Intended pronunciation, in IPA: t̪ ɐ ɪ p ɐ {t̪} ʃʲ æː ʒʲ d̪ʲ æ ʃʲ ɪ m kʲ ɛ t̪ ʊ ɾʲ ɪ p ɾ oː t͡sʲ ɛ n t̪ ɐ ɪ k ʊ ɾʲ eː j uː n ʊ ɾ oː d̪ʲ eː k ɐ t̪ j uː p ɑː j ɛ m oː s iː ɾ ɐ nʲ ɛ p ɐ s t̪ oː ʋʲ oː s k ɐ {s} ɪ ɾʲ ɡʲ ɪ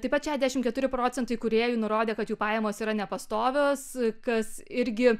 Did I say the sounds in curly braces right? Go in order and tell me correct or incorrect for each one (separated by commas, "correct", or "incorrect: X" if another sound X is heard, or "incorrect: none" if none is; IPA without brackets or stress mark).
correct, correct